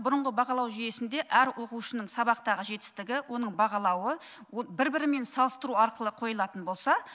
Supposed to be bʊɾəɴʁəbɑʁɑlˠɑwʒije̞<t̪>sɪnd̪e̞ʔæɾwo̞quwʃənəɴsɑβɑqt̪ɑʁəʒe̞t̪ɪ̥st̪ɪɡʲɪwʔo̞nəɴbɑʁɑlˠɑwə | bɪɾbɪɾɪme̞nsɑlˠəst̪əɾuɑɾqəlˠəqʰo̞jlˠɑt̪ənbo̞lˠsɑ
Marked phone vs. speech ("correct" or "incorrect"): incorrect